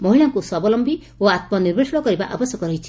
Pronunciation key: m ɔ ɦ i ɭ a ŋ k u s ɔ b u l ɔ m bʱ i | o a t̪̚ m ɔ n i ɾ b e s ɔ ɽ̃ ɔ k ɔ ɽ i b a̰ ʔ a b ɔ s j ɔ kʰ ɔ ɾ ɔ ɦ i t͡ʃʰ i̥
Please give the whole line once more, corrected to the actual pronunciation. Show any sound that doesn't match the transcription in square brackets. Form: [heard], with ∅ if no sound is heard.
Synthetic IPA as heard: m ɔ ɦ i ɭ a ŋ k u s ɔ b [ɔ] l ɔ m bʱ i | o a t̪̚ m ɔ n i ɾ b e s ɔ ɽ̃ ɔ k ɔ [ɾ] i b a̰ ʔ a b ɔ s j ɔ [k] ɔ ɾ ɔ ɦ i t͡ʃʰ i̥

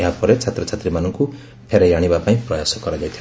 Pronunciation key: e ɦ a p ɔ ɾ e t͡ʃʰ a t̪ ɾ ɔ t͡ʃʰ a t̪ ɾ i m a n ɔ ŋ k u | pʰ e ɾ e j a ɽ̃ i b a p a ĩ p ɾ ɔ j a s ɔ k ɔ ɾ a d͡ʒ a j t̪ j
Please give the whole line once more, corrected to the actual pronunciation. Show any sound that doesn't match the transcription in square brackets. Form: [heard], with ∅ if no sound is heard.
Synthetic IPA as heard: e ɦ a p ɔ ɾ e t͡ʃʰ a t̪ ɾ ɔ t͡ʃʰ a t̪ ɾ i m a n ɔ ŋ k u | pʰ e ɾ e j a ɽ̃ i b a p a ĩ p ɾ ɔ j a s ɔ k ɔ ɾ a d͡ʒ a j [t̪ʰ] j

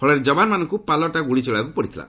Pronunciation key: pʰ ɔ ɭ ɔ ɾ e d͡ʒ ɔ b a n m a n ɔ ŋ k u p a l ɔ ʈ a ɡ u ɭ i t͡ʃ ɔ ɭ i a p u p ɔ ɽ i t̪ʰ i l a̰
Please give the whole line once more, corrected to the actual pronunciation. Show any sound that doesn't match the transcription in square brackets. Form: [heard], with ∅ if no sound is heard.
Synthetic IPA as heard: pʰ ɔ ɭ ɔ ɾ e d͡ʒ ɔ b a n m a n ɔ ŋ k u p a l ɔ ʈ a ɡ u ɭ i t͡ʃ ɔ ɭ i a [k] u p ɔ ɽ i t̪ʰ i l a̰

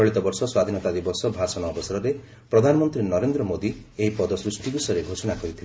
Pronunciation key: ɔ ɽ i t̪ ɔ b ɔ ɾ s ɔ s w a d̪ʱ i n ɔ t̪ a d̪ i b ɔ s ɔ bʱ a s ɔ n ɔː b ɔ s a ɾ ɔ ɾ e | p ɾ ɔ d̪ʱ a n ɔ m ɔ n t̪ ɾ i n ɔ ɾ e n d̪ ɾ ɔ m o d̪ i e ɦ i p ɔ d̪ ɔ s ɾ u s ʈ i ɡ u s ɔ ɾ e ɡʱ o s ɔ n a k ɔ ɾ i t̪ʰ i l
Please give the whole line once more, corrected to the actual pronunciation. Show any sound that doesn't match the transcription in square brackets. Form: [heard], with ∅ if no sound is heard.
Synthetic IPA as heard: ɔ [ɭ] i t̪ ɔ b ɔ ɾ s ɔ s w a d̪ʱ i n ɔ t̪ a d̪ i b ɔ s ɔ bʱ a s ɔ n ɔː b ɔ s a ɾ ɔ ɾ e | p ɾ ɔ d̪ʱ a n ɔ m ɔ n t̪ ɾ i n ɔ ɾ e n d̪ ɾ ɔ m o d̪ i e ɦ i p ɔ d̪ ɔ s ɾ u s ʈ i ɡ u s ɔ ɾ e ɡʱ o s ɔ n a k ɔ ɾ i t̪ʰ i l

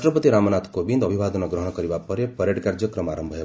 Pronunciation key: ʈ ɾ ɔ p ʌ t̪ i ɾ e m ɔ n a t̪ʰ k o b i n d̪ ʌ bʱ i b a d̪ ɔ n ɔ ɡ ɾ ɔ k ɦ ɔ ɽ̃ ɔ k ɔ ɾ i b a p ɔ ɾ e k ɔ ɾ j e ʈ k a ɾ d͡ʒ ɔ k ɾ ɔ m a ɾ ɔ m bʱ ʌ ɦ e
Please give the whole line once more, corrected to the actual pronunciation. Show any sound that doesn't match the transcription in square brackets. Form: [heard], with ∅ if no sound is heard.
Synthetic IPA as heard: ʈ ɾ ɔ p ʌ t̪ i ɾ [a] m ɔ n a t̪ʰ k o b i n d̪ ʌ bʱ i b a d̪ ɔ n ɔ ɡ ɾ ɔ [∅] ɦ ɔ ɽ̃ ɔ k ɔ ɾ i b a p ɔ ɾ e [p] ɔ ɾ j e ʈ k a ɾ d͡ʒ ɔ k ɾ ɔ m a ɾ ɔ m bʱ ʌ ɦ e

